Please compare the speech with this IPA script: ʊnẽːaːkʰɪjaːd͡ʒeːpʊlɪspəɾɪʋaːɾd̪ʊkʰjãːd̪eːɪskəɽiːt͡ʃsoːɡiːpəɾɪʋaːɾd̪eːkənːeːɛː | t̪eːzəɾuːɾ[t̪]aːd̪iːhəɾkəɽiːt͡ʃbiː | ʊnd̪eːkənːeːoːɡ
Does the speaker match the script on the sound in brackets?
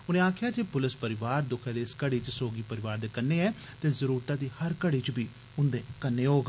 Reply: yes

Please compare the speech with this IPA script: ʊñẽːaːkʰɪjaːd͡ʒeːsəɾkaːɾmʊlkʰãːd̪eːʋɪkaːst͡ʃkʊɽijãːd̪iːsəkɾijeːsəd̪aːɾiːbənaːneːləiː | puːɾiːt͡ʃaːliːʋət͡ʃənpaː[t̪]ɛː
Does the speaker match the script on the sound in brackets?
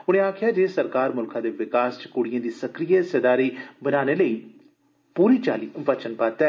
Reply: yes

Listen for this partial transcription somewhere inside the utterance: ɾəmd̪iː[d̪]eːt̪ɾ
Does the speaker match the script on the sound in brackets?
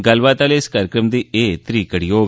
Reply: no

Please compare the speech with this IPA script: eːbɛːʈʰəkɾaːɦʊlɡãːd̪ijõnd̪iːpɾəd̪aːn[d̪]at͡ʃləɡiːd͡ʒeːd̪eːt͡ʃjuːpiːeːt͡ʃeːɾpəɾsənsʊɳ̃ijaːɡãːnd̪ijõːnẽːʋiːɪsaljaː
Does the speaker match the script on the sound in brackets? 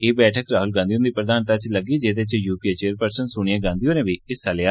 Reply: no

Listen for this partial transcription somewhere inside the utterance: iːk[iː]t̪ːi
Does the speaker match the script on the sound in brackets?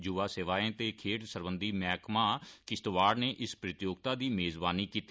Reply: yes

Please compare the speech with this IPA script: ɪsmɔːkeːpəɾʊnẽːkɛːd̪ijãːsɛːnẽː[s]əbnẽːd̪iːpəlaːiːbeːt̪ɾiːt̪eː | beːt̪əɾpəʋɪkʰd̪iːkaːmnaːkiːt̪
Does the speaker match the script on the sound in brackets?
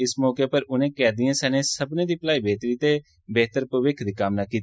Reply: yes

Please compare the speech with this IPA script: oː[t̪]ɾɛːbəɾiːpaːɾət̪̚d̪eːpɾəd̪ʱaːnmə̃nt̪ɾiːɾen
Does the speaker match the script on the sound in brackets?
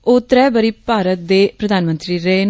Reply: yes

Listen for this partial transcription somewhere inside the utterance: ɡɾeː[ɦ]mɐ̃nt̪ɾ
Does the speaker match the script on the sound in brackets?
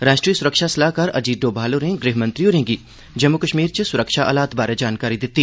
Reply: yes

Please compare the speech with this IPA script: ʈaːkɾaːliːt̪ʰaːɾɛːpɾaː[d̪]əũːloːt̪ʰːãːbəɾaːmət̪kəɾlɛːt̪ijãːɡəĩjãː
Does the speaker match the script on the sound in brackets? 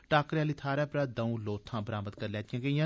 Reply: yes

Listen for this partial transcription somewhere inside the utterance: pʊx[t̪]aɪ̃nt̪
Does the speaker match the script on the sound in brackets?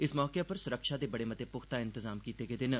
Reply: yes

